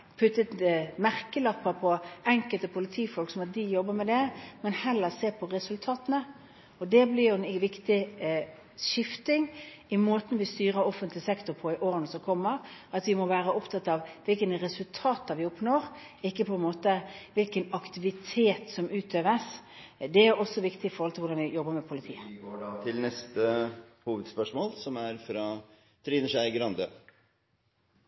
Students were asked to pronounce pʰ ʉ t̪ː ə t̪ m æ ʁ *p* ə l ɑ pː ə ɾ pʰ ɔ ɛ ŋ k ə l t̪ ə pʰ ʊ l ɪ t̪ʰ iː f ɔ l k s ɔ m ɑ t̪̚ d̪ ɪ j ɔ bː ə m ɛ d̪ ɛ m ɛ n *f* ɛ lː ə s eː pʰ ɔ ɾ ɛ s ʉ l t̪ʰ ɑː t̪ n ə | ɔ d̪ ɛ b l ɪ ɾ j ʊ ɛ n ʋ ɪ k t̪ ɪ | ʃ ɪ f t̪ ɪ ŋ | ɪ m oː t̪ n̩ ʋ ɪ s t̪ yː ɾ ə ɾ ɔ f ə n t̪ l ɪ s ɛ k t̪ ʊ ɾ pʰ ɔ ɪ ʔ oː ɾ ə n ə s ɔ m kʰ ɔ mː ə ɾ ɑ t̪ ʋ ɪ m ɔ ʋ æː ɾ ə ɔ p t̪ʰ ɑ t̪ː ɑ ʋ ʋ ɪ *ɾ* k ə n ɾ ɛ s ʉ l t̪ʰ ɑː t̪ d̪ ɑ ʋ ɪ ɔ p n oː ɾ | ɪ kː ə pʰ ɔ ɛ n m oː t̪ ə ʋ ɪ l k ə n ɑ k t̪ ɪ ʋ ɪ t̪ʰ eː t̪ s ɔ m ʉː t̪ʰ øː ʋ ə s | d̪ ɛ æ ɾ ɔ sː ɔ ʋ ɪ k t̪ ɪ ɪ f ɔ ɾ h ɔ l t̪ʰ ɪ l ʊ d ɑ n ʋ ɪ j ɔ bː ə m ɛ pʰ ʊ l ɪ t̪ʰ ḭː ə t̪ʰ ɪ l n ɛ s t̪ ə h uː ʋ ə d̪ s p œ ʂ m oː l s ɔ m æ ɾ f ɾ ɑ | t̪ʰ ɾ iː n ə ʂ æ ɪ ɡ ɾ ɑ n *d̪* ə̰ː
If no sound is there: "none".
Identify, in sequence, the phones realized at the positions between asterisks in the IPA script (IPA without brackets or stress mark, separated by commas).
k, h, l, d̪